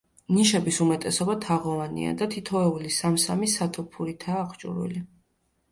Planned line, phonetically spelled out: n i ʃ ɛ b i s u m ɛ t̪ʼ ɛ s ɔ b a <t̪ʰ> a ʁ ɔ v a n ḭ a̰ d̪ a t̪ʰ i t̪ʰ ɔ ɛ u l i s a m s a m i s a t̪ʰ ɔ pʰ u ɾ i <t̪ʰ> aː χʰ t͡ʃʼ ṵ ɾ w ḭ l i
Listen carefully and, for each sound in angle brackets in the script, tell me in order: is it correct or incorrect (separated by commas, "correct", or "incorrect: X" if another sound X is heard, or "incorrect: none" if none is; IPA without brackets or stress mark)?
correct, correct